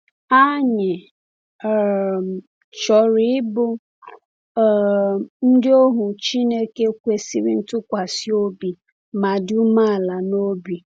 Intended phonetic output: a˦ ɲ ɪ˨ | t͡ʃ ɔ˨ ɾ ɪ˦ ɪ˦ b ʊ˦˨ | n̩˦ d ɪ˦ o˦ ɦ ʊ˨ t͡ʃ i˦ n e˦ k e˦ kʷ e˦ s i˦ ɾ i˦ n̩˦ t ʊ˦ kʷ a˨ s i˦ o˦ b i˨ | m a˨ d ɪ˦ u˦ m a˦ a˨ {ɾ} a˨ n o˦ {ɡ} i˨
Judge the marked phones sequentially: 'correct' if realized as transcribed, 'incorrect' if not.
incorrect, incorrect

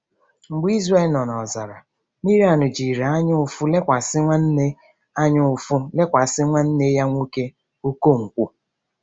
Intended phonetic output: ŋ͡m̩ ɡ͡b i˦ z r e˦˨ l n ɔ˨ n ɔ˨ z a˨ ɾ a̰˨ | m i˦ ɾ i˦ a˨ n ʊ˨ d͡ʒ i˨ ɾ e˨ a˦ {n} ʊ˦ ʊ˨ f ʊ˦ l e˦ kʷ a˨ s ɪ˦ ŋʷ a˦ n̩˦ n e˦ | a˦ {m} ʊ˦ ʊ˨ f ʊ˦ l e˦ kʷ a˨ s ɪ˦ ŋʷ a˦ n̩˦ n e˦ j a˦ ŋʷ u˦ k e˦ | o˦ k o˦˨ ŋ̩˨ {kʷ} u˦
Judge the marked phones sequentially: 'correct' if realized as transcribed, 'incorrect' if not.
incorrect, incorrect, correct

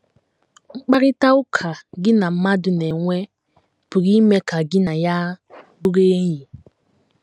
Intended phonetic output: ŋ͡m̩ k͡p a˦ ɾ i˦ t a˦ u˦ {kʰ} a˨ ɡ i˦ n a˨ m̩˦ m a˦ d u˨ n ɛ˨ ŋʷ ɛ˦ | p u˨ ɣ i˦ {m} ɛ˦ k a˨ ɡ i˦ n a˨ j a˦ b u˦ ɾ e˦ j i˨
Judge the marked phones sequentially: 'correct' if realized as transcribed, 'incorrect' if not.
correct, correct

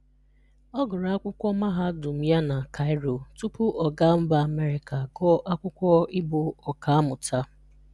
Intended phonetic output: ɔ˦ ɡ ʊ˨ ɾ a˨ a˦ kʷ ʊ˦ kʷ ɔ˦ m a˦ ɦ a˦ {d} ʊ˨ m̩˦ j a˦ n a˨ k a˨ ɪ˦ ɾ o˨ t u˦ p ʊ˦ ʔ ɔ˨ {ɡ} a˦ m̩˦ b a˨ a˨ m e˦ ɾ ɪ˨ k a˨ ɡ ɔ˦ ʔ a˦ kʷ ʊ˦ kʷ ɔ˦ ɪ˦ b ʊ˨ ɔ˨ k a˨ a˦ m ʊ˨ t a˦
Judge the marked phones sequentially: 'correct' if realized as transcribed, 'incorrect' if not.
correct, correct

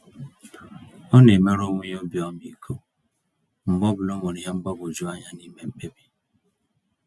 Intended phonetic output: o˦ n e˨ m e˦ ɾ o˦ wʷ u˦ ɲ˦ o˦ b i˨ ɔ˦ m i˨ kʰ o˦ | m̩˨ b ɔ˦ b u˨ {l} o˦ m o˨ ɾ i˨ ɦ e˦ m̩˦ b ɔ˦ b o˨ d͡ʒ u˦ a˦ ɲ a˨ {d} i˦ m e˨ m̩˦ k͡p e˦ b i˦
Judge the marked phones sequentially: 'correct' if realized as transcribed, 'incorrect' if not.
correct, incorrect

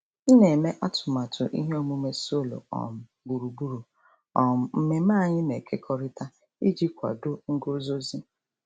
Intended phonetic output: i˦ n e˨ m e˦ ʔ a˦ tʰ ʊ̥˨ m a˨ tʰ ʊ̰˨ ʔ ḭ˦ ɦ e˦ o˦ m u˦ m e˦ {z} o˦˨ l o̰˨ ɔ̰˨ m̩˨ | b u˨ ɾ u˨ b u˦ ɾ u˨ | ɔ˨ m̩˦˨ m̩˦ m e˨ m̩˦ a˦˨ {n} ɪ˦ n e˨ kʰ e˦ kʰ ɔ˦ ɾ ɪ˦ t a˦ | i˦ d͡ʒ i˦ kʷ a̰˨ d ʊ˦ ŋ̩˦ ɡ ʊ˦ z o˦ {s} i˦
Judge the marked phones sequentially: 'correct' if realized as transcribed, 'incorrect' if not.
incorrect, incorrect, incorrect

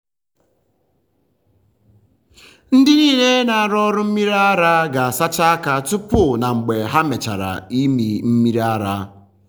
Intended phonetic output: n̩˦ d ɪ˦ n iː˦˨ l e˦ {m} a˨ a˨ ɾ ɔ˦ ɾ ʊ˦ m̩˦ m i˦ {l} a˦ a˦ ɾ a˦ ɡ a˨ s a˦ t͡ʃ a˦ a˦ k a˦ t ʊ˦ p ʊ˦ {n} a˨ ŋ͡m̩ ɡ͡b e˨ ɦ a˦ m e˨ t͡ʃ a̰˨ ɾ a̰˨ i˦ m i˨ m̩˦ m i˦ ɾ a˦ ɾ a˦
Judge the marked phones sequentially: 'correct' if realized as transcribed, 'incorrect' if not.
incorrect, incorrect, correct

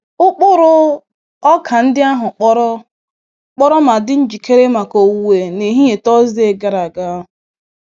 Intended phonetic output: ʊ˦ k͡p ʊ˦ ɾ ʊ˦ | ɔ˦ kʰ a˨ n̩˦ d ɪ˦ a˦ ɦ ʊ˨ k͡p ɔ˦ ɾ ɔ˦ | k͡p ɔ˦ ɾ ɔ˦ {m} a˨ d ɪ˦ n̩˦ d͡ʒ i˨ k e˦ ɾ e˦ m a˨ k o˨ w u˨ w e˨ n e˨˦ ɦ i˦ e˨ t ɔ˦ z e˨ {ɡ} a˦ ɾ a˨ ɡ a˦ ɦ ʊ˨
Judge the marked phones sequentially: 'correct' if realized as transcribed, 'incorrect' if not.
correct, correct

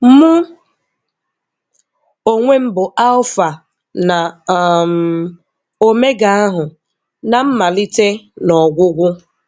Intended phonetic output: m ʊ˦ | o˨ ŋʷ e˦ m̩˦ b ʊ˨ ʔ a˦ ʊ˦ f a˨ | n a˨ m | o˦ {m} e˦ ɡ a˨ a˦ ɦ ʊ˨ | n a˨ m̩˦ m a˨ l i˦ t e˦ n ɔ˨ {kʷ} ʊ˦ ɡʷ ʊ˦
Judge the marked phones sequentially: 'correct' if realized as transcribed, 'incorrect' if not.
correct, incorrect

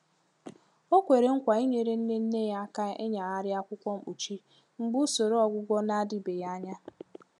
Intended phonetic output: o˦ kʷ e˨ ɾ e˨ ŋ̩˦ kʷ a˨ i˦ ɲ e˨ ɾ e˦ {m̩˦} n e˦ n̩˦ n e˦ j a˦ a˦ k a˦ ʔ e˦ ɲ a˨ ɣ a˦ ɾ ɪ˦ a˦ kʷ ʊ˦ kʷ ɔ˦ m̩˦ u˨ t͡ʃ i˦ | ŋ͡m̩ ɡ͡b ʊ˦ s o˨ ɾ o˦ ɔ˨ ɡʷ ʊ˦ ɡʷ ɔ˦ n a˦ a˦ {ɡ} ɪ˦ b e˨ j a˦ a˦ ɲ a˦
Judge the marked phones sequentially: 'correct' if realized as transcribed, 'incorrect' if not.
incorrect, incorrect

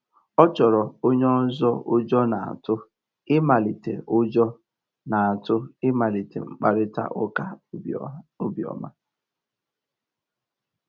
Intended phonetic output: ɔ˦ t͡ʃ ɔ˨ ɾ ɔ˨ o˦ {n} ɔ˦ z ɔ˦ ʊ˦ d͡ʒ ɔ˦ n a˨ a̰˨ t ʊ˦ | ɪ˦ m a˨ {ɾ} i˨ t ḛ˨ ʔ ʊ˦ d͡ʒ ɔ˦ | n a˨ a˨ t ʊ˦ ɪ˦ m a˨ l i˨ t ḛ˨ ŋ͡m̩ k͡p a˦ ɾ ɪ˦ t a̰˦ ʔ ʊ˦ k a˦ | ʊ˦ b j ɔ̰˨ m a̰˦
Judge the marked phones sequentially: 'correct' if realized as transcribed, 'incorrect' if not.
incorrect, incorrect

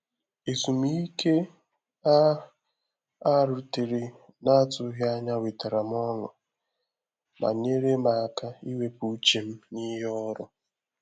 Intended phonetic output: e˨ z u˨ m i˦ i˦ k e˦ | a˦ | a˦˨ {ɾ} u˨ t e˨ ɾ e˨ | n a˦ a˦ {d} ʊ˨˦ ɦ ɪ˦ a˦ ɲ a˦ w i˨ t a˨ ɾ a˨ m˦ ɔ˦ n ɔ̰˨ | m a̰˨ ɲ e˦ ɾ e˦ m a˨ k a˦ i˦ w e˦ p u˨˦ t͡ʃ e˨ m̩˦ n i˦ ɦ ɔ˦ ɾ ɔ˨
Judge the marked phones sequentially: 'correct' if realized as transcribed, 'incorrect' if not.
correct, incorrect

